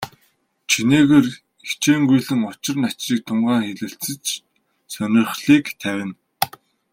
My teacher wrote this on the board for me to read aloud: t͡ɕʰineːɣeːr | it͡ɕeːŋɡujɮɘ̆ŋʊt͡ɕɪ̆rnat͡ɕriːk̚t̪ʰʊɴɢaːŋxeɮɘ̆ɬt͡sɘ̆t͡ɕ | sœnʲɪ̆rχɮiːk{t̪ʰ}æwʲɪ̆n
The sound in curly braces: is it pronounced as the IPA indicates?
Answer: yes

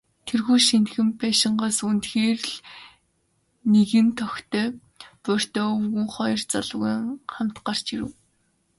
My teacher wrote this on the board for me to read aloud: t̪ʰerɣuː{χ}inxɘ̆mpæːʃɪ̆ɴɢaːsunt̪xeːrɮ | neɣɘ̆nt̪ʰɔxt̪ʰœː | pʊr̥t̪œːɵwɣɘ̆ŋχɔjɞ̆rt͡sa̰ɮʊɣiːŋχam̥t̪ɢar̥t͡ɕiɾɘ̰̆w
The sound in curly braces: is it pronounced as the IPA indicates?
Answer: no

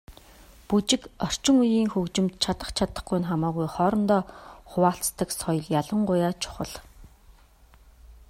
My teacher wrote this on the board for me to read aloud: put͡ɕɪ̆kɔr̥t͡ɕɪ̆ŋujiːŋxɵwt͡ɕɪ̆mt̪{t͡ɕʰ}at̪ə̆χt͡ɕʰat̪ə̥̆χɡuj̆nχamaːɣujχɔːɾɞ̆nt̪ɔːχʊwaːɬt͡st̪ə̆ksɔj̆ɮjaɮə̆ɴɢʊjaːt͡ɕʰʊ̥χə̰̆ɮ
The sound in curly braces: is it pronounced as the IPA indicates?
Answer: yes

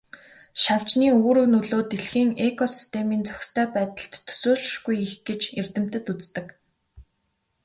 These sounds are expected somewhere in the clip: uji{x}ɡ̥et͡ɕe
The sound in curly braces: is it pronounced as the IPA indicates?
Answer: yes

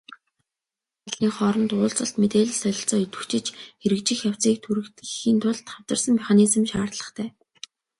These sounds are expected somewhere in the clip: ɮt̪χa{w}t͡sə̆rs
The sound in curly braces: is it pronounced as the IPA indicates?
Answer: yes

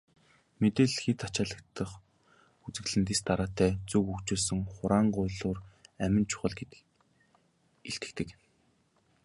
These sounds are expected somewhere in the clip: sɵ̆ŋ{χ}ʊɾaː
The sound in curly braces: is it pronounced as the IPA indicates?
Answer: yes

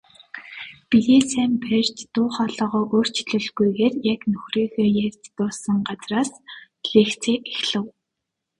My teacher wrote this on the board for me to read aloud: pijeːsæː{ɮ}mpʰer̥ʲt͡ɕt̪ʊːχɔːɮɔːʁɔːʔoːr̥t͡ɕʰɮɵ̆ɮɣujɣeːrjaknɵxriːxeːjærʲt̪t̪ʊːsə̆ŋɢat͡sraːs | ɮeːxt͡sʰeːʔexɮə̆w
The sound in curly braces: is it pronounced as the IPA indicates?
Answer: no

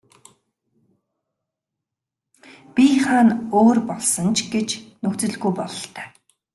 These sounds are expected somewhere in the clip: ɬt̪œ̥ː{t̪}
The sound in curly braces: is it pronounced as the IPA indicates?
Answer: no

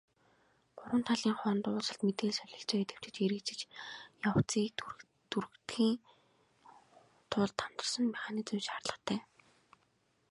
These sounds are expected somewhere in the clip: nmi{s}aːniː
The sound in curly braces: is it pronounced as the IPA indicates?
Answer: no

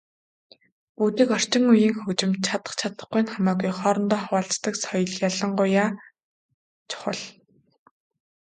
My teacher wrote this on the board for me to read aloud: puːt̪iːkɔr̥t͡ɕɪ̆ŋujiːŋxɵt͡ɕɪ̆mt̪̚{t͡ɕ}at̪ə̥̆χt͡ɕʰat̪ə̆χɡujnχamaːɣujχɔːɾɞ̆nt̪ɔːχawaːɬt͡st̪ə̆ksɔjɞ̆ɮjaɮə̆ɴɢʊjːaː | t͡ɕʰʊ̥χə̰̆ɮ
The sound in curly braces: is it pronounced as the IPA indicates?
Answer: no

